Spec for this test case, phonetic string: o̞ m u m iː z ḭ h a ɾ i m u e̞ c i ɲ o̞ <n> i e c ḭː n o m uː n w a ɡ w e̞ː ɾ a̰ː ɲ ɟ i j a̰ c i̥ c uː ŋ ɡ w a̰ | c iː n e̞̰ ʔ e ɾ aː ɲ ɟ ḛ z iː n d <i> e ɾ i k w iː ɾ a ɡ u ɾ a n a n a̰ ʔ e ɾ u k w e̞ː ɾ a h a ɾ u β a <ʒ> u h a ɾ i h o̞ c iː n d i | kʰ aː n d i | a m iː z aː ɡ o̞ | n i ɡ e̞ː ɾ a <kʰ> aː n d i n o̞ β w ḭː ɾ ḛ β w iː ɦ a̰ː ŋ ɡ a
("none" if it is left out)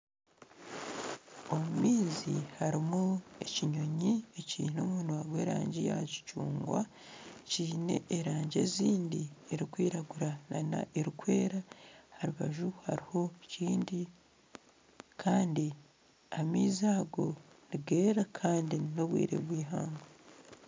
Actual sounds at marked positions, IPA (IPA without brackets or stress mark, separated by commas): ɲ, i, ʒ, kʰ